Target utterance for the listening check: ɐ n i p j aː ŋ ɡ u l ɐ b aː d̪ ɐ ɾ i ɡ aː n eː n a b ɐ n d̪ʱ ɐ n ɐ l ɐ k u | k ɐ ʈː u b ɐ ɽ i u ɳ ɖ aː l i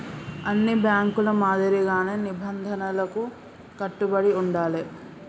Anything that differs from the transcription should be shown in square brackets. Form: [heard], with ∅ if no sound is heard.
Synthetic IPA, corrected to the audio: ɐ [nː] i [b] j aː ŋ [k] u l ɐ [m] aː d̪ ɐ ɾ i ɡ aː n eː n [i] b ɐ n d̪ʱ ɐ n ɐ l ɐ k u | k ɐ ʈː u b ɐ ɽ i u ɳ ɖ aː l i